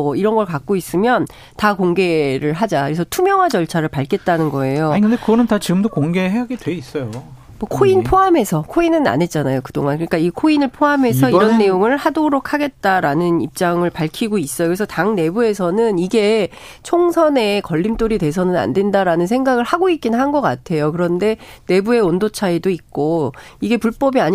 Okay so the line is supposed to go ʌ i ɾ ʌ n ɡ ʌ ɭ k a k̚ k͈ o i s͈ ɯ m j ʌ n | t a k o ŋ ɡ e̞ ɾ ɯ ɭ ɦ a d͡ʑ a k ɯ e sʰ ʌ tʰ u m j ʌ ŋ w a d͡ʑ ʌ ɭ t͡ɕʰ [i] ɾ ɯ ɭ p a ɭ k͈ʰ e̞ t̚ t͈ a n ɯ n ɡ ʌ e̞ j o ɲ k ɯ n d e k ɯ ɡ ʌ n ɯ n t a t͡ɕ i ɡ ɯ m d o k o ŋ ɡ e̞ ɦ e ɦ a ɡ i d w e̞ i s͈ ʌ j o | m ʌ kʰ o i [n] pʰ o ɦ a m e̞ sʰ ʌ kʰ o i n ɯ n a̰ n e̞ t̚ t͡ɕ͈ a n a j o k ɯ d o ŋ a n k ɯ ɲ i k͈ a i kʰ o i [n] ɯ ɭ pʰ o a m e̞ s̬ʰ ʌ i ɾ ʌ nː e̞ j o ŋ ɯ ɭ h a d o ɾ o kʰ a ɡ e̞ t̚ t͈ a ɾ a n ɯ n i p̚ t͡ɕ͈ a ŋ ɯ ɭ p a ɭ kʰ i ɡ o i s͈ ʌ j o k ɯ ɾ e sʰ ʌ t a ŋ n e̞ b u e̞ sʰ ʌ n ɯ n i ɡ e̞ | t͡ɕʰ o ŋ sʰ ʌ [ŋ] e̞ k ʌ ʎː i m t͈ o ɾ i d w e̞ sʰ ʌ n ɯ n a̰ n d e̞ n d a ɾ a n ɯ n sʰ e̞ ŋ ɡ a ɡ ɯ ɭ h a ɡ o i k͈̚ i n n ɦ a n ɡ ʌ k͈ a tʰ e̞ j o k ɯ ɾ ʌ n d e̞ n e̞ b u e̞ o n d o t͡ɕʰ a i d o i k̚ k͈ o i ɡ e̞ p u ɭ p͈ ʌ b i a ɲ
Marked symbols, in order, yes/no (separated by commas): no, yes, yes, no